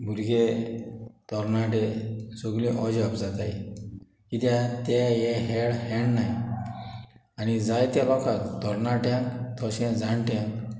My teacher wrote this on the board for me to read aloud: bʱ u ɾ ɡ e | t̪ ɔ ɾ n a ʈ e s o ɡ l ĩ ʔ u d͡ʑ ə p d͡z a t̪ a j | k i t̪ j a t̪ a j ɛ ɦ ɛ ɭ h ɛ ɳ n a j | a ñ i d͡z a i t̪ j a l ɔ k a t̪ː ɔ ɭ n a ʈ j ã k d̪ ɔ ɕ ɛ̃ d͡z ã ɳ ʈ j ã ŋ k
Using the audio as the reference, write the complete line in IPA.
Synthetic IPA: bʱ u ɾ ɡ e | t̪ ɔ ɾ n a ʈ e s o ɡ l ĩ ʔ ɔ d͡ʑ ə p d͡z a t̪ a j | k i t̪ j a t̪ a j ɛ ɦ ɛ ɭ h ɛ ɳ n a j | a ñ i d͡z a j t̪ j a l ɔ k a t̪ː ɔ ɾ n a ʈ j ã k t̪ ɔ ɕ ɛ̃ d͡z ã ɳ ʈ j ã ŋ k